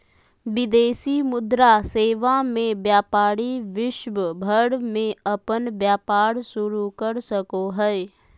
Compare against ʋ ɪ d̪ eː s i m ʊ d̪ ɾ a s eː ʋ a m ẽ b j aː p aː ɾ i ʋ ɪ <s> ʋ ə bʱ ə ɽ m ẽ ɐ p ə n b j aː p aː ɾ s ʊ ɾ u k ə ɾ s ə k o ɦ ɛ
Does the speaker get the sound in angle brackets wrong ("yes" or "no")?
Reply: yes